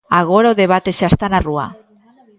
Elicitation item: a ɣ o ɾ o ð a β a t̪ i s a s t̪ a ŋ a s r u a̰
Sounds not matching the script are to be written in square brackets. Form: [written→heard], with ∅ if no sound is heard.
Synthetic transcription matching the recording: a ɣ o ɾ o ð [a→e] β a t̪ [i→e] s a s t̪ a [ŋ→n] a [s→∅] r u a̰